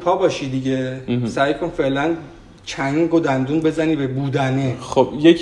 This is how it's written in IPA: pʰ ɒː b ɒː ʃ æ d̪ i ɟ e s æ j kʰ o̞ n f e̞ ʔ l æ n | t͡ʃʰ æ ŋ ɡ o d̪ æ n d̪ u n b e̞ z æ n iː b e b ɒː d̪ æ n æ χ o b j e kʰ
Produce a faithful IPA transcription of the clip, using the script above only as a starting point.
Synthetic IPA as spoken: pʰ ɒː b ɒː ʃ i d̪ i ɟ e s æ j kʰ o̞ n f e̞ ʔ l æ n | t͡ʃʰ æ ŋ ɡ o d̪ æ n d̪ u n b e̞ z æ n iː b e b uː d̪ æ n e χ o b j e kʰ